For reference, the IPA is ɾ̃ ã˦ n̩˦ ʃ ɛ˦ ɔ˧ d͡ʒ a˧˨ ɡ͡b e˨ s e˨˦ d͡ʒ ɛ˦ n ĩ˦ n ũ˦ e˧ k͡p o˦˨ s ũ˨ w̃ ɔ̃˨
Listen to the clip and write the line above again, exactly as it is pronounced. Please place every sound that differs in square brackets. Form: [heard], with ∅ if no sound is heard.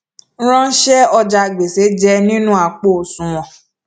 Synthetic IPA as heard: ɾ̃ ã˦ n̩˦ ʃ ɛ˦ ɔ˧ d͡ʒ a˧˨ ɡ͡b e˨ s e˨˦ d͡ʒ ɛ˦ n ĩ˦ n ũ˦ [a˧] k͡p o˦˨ s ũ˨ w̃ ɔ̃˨